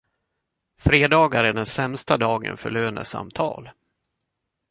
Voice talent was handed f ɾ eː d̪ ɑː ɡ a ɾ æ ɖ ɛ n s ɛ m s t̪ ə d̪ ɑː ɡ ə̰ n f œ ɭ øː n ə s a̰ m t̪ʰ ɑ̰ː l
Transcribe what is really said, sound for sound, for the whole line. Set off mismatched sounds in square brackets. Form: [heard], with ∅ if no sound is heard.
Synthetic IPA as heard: f ɾ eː d̪ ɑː ɡ a ɾ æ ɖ ɛ n s ɛ m s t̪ [a] d̪ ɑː ɡ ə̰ n f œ ɭ øː n ə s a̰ m t̪ʰ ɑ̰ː l